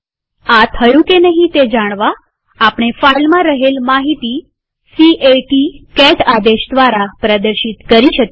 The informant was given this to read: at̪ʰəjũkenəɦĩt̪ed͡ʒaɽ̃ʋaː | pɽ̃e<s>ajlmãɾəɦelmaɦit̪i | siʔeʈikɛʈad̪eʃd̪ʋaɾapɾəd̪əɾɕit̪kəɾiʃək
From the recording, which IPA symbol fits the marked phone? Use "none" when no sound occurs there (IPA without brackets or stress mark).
f